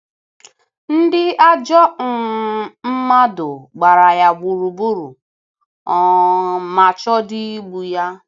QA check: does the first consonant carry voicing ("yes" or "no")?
yes